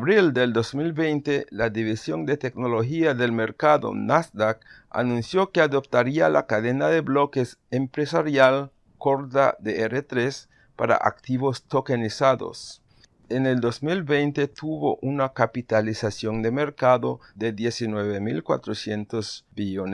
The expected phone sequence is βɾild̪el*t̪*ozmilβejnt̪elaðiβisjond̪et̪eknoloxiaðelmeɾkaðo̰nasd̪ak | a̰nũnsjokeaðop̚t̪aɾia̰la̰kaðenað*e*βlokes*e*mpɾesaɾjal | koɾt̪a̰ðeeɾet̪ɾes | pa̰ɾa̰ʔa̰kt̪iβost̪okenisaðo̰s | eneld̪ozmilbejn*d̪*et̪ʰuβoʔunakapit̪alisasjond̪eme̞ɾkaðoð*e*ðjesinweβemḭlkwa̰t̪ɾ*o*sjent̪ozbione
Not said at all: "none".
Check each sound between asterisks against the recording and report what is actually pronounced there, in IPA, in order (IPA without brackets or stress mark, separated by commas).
d̪, e, e, t̪, e, o